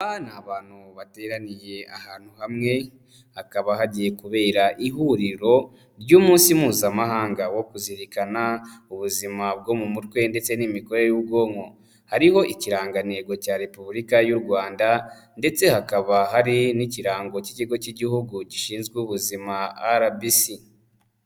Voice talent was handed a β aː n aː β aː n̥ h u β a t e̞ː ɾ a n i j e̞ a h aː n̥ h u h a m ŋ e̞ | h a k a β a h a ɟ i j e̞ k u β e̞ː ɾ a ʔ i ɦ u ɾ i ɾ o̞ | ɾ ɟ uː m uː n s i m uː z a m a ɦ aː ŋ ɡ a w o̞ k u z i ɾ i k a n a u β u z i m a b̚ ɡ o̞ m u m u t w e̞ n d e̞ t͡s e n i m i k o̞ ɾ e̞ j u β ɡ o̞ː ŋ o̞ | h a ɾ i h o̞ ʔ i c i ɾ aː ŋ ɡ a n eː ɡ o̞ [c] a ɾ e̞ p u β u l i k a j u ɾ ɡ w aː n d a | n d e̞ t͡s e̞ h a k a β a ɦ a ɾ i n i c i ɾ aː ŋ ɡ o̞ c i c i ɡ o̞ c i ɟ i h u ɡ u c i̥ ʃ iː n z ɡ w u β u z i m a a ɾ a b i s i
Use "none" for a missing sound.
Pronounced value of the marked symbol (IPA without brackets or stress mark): c